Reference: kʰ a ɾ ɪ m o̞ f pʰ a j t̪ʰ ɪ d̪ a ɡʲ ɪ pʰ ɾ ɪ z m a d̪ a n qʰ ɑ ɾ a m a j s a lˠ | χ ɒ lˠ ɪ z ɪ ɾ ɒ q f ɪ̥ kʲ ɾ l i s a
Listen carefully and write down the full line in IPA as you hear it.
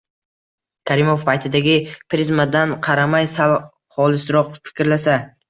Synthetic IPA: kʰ a ɾ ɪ m o̞ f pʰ a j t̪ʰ ɪ d̪ a ɡʲ ɪ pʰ ɾ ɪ z m a d̪ a n qʰ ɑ ɾ a m a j s a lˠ | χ ɒ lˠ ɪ s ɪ ɾ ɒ q f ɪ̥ kʲ ɾ l a s a